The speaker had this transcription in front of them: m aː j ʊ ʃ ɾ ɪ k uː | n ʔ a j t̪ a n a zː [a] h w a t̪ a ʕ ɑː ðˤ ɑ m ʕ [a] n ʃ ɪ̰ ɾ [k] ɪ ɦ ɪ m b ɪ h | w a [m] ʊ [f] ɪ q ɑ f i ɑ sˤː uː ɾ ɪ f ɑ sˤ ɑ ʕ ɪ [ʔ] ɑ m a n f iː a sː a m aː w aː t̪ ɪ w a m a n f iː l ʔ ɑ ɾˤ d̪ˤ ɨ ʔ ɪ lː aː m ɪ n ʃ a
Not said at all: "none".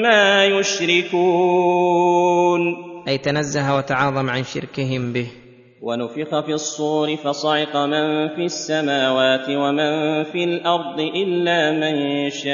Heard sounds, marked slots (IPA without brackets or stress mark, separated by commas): a, a, k, n, f, q